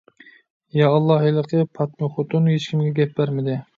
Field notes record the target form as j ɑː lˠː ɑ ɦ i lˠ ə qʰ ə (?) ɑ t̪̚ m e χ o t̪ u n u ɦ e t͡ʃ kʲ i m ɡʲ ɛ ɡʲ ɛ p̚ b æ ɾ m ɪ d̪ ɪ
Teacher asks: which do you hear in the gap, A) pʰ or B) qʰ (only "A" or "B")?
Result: A